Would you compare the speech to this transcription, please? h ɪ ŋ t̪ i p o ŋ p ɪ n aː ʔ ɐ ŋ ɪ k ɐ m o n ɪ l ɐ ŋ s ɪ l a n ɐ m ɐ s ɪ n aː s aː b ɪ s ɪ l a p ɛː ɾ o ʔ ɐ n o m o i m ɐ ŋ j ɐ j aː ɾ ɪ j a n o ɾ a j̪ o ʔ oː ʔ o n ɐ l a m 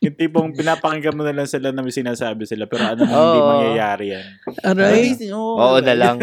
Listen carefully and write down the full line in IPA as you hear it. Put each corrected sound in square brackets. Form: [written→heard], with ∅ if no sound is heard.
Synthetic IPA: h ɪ [ŋ→n] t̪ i p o ŋ p ɪ n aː [ʔ→p] ɐ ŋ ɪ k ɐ m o n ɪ l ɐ ŋ s ɪ l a n ɐ m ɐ s ɪ n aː s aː b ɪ s ɪ l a p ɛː ɾ o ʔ ɐ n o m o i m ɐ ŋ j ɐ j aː ɾ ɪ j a n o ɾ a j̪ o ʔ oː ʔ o n ɐ l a [m→ŋ]